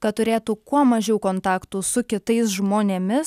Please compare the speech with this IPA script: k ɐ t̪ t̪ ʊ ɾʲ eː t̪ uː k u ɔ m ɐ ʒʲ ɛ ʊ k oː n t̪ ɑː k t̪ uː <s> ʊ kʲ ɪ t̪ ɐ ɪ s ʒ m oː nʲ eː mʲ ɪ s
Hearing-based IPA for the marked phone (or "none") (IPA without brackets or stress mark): s